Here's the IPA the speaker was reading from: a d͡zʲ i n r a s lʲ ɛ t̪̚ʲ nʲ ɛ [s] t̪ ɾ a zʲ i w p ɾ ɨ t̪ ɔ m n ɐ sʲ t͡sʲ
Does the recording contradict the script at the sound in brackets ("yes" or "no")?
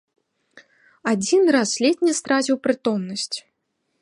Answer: no